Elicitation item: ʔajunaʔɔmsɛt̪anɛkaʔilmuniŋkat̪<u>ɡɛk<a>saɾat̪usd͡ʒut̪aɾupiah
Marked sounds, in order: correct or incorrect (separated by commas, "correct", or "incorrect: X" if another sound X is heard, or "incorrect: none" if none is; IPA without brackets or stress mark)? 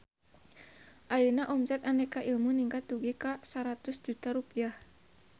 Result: correct, correct